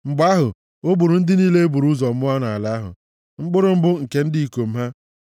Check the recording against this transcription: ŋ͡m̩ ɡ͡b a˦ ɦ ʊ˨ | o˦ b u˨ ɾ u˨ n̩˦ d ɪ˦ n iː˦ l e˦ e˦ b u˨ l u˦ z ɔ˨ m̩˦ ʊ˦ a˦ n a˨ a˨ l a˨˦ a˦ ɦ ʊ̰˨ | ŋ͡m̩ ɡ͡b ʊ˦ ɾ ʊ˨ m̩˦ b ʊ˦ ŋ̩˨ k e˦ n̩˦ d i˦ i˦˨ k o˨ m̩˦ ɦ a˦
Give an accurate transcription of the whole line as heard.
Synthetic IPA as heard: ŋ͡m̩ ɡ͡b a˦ ɦ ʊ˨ | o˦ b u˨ ɾ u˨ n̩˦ d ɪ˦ n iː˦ l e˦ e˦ b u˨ ɾ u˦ z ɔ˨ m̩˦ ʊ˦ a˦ n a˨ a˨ l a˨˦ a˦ ɦ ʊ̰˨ | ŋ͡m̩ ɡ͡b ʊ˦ ɾ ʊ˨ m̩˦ b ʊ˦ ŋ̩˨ k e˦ n̩˦ d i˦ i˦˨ k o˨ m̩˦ ɦ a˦